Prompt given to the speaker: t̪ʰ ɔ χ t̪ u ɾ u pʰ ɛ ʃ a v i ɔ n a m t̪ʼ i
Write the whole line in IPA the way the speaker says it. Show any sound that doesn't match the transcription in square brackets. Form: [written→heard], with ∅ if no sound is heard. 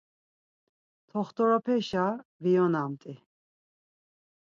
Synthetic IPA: t̪ʰ ɔ χ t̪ [u→ɔ] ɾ [u→ɔ] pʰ ɛ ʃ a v i ɔ n a m t̪ʼ i